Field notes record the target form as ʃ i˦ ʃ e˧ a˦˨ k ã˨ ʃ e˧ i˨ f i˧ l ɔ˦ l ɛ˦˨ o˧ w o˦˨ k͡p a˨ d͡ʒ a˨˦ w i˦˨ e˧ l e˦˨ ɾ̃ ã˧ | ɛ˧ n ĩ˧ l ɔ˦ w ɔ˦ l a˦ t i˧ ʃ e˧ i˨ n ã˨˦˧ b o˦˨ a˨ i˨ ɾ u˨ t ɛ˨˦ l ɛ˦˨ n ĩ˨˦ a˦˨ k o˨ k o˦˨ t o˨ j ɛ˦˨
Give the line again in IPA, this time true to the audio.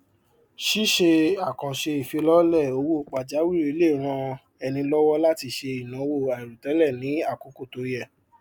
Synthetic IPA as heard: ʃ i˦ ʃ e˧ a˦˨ k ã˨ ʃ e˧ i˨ f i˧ l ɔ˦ l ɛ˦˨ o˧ w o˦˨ k͡p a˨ d͡ʒ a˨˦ w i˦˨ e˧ l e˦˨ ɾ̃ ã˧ | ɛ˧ n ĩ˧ l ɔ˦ w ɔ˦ l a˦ t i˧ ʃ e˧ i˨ n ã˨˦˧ w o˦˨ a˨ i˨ ɾ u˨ t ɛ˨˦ l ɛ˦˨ n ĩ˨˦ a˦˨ k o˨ k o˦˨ t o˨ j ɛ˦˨

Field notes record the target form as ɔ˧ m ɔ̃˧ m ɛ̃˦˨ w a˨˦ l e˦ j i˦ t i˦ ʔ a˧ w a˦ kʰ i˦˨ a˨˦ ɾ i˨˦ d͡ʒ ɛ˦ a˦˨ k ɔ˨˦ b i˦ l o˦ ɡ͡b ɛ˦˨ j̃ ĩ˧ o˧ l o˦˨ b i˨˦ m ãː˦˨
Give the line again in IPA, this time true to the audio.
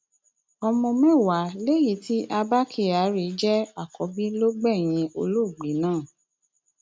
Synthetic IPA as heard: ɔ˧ m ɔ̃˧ m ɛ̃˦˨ w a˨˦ l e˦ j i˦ t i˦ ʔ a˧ b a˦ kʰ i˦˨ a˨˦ ɾ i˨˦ d͡ʒ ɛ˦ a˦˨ k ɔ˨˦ b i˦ l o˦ ɡ͡b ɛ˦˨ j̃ ĩ˧ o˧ l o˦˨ ɡ͡b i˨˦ n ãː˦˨

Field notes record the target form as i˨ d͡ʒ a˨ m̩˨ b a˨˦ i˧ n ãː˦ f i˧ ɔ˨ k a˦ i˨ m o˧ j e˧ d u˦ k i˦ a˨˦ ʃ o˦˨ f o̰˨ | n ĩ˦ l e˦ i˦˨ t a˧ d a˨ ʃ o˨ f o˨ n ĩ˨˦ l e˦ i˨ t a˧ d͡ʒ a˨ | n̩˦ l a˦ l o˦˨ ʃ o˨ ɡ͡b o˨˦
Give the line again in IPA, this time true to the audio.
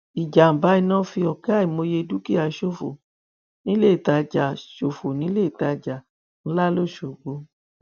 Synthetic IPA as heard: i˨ d͡ʒ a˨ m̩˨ b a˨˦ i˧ n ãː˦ f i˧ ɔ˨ k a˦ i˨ m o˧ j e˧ d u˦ k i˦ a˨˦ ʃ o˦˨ f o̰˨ | n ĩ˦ l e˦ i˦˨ t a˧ d͡ʒ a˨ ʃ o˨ f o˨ n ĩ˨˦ l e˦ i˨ t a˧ d͡ʒ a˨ | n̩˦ l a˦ l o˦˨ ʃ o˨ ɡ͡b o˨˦

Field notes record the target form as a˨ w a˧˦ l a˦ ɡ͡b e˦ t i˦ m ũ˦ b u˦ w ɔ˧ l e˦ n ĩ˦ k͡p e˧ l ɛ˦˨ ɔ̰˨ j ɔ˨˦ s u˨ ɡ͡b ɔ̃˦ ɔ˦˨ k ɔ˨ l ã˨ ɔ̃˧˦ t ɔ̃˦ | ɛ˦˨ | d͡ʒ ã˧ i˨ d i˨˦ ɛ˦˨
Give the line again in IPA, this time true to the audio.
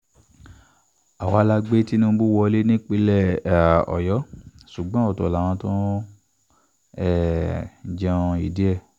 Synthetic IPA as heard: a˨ w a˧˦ l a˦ ɡ͡b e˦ t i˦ n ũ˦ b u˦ w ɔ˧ l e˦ n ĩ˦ k͡p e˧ l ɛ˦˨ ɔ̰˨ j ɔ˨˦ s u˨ ɡ͡b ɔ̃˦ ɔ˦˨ t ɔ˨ l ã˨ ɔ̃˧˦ t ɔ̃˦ | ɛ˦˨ | d͡ʒ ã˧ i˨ d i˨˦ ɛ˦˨

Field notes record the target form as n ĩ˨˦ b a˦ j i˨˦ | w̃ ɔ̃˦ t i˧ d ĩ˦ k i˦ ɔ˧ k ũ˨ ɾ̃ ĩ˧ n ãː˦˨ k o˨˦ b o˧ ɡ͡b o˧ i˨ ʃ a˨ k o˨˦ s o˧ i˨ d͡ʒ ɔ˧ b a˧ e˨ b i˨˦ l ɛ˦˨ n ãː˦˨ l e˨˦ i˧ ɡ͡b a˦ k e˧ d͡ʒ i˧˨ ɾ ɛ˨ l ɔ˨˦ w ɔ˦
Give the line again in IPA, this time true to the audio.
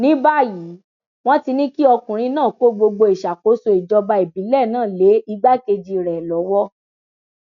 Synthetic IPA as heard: n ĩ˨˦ b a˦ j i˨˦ | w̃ ɔ̃˦ t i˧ n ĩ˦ k i˦ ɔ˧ k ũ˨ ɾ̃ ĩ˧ n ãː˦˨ k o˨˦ ɡ͡b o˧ ɡ͡b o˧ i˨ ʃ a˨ k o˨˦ s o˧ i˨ d͡ʒ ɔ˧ b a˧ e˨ b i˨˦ l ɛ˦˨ n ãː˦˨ l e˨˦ i˧ ɡ͡b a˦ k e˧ d͡ʒ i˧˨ ɾ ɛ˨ l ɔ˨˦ w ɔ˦

